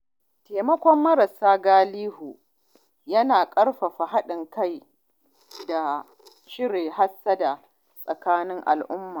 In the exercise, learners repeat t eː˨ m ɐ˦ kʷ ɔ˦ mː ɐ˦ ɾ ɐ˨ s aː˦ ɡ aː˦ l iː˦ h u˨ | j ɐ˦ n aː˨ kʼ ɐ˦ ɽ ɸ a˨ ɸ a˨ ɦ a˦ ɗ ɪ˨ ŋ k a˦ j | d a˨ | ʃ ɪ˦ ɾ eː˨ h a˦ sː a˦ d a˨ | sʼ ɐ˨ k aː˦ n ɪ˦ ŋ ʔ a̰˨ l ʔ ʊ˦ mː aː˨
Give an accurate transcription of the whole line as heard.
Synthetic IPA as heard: t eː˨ m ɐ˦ kʷ ɔ˦ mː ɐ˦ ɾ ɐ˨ s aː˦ ɡ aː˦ l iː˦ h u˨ | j ɐ˦ n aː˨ kʼ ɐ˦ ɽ ɸ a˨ ɸ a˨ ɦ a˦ ɗ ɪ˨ ŋ k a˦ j | d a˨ | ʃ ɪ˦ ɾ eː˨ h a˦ sː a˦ d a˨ | sʼ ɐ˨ k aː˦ n ɪ˦ ŋ ʔ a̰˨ l ʔ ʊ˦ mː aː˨

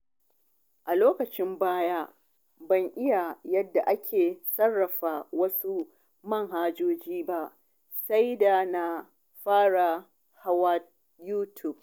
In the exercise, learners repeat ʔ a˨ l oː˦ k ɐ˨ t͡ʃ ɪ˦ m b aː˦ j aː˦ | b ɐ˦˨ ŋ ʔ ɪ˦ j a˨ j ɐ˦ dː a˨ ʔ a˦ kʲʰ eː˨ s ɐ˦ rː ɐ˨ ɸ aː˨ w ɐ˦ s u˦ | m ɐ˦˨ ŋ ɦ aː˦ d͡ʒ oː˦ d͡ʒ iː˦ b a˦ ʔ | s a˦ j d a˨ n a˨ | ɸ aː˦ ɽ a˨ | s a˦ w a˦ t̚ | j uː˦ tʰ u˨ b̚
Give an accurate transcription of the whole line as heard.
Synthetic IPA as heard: ʔ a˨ l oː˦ k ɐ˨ t͡ʃ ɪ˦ m b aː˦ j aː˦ | b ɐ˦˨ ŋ ʔ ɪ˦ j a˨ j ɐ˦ dː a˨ ʔ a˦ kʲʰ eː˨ s ɐ˦ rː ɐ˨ ɸ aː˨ w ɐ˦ s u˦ | m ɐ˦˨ ŋ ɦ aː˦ d͡ʒ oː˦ d͡ʒ iː˦ b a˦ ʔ | s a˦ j d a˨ n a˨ | ɸ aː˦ ɽ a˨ | h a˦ w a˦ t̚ | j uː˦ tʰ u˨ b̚

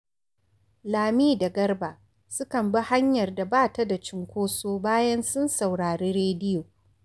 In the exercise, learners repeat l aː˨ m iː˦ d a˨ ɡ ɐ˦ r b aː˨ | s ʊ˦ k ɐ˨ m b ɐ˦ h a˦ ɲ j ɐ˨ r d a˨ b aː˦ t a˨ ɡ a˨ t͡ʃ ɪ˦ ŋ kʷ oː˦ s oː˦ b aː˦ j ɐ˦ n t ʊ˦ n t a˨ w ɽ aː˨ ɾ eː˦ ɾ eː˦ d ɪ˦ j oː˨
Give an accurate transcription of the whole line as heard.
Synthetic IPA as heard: l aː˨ m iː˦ d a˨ ɡ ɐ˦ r b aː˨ | s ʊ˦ k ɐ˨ m b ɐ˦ h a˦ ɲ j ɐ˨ r d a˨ b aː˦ t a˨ d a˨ t͡ʃ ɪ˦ ŋ kʷ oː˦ s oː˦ b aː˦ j ɐ˦ n s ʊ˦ n s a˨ w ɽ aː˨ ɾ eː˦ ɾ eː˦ d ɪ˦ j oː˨

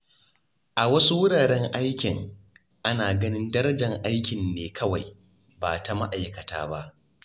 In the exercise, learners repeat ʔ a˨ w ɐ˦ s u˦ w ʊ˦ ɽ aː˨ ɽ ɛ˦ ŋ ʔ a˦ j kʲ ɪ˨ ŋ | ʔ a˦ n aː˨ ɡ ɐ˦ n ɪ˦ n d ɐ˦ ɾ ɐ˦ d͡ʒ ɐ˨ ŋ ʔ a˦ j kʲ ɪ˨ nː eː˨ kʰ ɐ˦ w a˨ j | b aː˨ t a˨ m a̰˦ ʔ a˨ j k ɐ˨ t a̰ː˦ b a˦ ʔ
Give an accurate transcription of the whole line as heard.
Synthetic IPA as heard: ʔ a˨ w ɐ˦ s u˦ w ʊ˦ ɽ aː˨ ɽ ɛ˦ ŋ ʔ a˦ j kʲ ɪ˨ ŋ | ʔ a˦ n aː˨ ɡ ɐ˦ n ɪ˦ n d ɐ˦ ɾ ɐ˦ d͡ʒ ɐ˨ ŋ ʔ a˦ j kʲ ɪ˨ nː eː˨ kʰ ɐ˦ w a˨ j | b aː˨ t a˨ m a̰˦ ʔ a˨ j k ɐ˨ t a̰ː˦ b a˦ ʔ

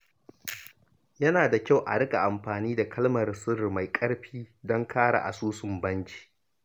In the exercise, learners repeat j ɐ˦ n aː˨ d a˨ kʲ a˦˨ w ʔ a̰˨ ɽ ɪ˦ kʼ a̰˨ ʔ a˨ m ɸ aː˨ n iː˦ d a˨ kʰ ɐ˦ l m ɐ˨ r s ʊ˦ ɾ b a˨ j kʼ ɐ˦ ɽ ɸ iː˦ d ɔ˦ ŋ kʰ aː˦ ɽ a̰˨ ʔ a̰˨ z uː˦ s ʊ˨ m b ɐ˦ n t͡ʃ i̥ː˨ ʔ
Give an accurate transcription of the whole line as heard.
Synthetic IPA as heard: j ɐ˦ n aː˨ d a˨ kʲ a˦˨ w ʔ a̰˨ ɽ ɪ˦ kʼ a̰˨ ʔ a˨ m ɸ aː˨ n iː˦ d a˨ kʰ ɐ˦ l m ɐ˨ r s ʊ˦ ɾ m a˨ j kʼ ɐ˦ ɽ ɸ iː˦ d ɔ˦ ŋ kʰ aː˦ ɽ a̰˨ ʔ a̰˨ s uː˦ s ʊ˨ m b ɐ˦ n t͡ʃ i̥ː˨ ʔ

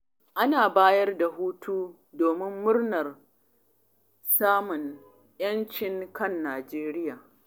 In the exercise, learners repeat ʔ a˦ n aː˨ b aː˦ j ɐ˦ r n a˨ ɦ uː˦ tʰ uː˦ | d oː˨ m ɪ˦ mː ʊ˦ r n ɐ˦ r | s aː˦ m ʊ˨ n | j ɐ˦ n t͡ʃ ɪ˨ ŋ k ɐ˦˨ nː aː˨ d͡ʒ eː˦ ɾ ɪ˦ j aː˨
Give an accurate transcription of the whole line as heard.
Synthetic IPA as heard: ʔ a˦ n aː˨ b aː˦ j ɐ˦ r d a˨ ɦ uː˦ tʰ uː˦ | d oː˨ m ɪ˦ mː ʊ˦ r n ɐ˨ r | s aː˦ m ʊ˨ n | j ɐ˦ n t͡ʃ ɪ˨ ŋ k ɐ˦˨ nː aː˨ d͡ʒ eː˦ ɾ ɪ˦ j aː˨

